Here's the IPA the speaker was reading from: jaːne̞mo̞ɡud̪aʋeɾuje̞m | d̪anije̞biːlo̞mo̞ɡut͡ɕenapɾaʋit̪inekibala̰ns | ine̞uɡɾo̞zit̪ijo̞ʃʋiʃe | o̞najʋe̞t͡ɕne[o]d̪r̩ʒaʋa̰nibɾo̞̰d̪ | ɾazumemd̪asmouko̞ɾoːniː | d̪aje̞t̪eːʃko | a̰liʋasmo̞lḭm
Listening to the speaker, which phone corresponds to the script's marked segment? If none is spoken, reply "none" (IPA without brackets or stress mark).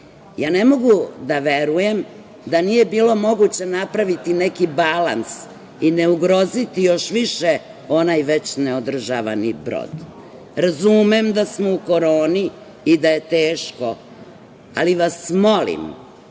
o